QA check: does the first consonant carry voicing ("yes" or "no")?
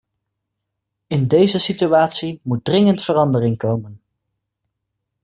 yes